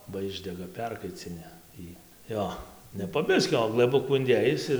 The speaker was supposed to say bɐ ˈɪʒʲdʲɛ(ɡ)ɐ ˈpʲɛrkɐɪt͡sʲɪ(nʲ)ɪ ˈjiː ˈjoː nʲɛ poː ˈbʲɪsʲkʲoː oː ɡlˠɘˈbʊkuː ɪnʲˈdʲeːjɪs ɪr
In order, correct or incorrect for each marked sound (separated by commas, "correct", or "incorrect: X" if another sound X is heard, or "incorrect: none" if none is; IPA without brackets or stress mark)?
correct, correct